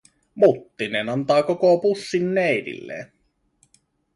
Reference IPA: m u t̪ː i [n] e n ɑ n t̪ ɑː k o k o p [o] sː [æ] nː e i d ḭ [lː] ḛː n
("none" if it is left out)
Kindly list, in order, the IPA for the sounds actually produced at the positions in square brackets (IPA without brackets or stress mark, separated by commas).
n, u, i, lː